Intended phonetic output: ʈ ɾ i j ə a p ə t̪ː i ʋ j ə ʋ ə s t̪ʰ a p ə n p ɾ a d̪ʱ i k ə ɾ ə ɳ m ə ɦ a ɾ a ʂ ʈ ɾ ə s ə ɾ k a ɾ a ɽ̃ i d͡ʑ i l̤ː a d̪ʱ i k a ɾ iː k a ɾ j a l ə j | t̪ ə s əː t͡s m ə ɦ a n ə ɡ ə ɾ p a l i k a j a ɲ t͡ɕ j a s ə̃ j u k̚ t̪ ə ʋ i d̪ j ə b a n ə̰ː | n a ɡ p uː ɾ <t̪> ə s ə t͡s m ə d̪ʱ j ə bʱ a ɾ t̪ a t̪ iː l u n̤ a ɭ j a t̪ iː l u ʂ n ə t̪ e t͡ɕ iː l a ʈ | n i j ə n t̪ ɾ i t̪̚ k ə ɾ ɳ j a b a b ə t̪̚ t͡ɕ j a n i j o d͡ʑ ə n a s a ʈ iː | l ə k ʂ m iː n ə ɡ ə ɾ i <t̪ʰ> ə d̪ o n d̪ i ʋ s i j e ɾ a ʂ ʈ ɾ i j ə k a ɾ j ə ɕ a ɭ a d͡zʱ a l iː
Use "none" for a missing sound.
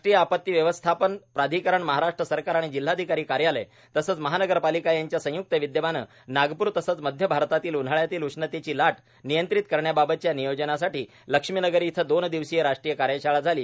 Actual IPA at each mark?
t̪, t̪ʰ

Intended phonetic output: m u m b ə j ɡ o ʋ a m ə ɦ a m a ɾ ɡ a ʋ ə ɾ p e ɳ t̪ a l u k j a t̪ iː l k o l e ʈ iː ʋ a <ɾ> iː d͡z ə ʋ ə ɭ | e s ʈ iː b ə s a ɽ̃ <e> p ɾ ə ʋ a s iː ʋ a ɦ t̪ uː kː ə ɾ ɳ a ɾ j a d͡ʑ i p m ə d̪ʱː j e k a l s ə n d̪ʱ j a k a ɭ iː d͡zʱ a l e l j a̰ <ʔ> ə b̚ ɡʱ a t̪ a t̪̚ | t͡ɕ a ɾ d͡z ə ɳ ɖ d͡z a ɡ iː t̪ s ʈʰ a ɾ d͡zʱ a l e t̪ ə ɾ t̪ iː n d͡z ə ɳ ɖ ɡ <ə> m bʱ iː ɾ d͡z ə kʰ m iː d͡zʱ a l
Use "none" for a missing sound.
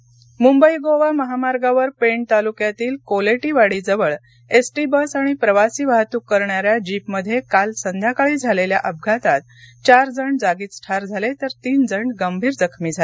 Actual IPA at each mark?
ɽ, i, ʔ, ə

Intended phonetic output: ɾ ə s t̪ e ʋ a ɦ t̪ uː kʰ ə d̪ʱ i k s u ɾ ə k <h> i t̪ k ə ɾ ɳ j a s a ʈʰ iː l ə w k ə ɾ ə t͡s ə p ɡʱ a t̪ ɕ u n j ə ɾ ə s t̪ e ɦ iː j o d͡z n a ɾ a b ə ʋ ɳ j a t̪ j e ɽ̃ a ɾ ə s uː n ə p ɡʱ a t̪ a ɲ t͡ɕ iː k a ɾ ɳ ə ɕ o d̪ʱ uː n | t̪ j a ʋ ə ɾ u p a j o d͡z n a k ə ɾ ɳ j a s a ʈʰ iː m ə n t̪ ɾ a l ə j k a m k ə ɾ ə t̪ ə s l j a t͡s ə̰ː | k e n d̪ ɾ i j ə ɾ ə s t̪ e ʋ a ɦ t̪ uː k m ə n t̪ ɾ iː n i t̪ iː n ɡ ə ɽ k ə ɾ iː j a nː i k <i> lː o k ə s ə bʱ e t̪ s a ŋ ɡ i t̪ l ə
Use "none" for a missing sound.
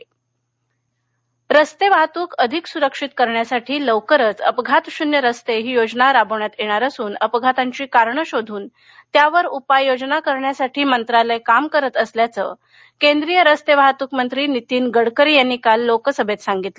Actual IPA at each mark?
ʂ, a

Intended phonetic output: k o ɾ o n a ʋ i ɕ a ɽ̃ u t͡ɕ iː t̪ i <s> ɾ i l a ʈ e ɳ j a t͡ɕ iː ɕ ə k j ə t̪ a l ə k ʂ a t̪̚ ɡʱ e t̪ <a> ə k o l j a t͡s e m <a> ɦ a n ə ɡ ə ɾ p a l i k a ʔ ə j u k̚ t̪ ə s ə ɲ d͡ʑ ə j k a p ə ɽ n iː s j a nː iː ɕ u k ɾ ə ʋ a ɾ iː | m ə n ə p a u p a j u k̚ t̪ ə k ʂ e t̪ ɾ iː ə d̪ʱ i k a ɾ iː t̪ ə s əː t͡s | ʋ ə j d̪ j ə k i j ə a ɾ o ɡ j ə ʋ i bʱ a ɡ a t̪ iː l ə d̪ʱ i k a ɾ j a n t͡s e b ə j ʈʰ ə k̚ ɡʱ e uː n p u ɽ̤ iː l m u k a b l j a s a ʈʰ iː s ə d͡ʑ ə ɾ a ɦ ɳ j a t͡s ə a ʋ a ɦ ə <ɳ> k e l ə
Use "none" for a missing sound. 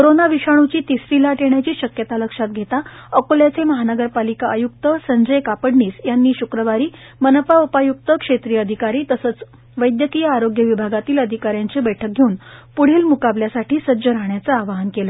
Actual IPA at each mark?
s, a, ə, n

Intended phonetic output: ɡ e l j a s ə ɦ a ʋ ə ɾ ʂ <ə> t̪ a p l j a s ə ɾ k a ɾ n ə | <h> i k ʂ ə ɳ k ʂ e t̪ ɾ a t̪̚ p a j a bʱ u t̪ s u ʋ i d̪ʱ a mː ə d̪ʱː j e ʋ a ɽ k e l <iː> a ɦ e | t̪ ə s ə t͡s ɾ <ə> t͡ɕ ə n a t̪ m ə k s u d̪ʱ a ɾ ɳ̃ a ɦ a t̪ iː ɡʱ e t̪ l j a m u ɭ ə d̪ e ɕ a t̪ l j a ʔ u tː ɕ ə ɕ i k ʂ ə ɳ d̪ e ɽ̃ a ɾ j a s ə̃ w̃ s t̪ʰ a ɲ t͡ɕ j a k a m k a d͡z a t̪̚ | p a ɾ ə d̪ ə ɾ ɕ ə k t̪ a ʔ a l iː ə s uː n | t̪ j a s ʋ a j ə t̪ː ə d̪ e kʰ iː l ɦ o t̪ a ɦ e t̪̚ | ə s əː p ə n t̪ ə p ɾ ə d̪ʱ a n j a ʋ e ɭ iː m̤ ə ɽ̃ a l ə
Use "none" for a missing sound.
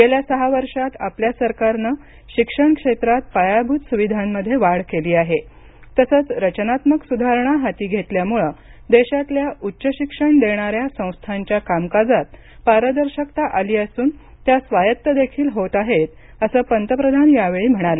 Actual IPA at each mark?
a, ɕ, iː, ə

